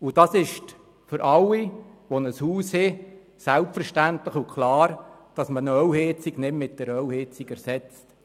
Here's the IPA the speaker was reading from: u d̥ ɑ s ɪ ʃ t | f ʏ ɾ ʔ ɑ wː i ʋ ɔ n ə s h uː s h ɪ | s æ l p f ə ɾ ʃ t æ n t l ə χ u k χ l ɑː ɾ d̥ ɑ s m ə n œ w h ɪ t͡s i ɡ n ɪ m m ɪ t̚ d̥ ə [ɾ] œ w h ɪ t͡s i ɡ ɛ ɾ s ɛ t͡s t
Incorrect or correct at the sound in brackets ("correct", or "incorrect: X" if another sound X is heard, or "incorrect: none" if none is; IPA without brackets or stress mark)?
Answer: correct